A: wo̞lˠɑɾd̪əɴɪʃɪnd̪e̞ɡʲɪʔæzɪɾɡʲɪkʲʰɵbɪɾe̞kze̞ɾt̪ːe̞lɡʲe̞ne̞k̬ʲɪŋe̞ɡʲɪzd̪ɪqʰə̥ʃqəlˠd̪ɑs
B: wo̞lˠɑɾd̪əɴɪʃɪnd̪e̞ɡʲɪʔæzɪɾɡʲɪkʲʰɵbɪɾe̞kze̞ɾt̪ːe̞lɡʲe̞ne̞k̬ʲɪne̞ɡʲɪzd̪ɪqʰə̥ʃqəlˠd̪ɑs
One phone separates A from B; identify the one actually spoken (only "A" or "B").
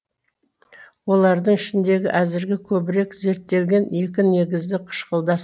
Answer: B